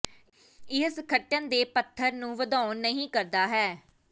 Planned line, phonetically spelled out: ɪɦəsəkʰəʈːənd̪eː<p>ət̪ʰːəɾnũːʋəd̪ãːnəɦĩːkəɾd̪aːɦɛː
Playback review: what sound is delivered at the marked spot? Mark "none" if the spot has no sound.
p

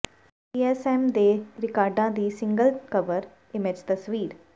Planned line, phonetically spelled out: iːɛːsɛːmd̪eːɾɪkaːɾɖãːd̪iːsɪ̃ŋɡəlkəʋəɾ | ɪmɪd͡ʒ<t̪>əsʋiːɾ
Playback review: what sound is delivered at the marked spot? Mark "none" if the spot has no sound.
t̪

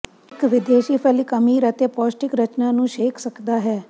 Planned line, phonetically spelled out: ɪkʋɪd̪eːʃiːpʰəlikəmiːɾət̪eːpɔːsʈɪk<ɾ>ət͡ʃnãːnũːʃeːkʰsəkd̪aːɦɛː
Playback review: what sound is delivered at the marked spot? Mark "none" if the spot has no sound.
ɾ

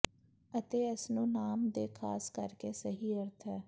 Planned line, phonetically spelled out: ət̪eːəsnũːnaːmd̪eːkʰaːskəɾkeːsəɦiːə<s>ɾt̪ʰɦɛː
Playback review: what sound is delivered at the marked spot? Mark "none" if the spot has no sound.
none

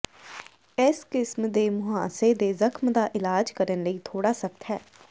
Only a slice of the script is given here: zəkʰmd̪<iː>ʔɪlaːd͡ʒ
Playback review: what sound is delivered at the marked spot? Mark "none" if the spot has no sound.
aː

